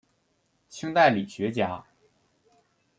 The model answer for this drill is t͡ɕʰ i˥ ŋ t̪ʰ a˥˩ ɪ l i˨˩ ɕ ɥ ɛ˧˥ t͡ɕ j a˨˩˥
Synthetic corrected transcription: t͡ɕʰ i˥ ŋ t̪ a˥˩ ɪ l i˨˩ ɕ ɥ ɛ˧˥ t͡ɕ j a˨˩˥